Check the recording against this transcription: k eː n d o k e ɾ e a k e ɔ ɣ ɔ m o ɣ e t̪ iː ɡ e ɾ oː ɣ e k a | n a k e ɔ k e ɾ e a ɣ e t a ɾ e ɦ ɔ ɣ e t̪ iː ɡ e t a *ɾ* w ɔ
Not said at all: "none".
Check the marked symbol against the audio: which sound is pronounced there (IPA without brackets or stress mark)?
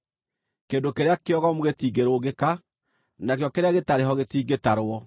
ɾ